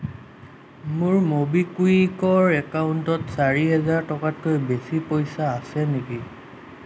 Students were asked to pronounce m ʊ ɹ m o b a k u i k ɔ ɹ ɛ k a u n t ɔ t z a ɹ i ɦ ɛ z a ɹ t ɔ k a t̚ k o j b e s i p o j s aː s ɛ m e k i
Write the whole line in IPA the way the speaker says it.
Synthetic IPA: m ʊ ɹ m o b i k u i k ɔ ɹ ɛ k a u n t ɔ t s a ɹ i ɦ ɛ z a ɹ t ɔ k a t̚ k o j b e s i p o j s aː s ɛ n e k i